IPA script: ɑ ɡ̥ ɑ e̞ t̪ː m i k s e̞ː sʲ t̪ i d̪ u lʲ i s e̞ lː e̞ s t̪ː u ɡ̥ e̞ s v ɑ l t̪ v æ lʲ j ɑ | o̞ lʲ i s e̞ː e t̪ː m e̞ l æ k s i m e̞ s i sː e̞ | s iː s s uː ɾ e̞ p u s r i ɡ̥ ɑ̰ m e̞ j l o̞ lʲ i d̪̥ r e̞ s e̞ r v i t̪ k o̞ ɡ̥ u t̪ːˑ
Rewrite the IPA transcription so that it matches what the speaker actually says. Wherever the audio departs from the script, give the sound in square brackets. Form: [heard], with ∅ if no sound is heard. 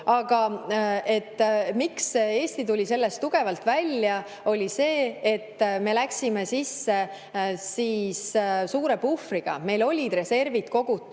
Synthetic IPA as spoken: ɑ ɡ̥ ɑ e̞ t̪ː m i k s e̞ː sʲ t̪ i [t̪] u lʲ i s e̞ lː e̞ s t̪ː u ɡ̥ e̞ [∅] v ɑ l t̪ v æ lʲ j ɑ | o̞ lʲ i s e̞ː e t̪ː m e̞ l æ k s i m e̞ s i sː e̞ | s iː s s uː ɾ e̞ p u [f] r i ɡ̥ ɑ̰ m e̞ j l o̞ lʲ i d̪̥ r e̞ s e̞ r v i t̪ k o̞ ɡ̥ u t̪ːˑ